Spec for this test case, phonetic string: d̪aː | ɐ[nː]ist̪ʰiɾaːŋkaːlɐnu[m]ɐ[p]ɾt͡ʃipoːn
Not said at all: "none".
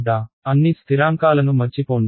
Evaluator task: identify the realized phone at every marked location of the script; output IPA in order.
nː, m, none

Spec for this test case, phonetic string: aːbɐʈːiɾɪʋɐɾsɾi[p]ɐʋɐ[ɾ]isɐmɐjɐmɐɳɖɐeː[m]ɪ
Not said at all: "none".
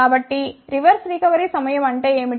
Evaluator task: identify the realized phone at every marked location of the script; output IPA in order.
k, ɾ, m

